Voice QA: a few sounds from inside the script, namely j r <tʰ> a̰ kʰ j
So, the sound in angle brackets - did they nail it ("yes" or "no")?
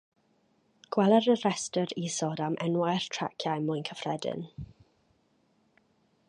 yes